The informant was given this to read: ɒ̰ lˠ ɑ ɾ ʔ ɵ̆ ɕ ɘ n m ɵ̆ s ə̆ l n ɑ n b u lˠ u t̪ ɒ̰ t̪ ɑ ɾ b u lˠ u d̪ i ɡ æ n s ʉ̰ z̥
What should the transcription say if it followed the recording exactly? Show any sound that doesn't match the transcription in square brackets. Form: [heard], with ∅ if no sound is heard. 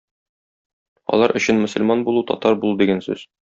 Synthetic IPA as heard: ɒ̰ lˠ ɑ ɾ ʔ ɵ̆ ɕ ɘ n m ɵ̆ s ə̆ l [m] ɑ n b u lˠ u t̪ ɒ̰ t̪ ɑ ɾ b u lˠ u d̪ i ɡ æ n s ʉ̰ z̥